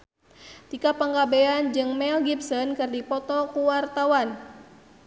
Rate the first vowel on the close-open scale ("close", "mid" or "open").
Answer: close